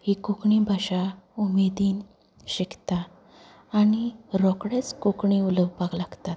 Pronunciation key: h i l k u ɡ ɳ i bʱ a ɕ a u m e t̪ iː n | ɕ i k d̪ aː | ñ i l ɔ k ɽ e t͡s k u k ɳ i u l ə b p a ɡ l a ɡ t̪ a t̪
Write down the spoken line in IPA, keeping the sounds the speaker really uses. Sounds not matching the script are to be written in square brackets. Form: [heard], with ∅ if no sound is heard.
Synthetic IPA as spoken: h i [∅] k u [k] ɳ i bʱ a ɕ a u m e [d̪] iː n | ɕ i k [t̪] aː | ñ i [ɾ] ɔ k ɽ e t͡s k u k ɳ i u l ə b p a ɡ l a ɡ t̪ a t̪

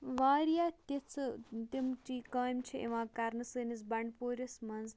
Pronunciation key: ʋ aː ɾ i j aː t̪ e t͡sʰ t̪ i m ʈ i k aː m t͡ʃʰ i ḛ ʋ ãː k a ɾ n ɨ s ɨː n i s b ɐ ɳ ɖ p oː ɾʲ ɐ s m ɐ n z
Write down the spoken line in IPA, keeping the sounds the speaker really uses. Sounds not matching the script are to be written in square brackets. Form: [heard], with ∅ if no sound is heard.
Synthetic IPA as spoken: ʋ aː ɾ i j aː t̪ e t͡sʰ t̪ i m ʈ i k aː m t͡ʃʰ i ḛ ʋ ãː k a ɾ n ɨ s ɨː n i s b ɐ ɳ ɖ p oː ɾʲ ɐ s m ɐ n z

